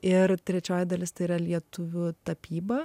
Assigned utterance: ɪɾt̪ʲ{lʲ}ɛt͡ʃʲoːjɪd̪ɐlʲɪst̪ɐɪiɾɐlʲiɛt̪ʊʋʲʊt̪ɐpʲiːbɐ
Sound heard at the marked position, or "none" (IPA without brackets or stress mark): ɾʲ